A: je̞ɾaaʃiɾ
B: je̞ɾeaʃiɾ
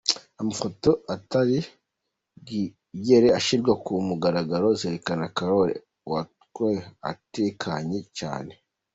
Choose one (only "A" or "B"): B